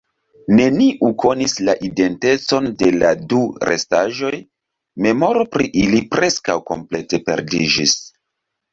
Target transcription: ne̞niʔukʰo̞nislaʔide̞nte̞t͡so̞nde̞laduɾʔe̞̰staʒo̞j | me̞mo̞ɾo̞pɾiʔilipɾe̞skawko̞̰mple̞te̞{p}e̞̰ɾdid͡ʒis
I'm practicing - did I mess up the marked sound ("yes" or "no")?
no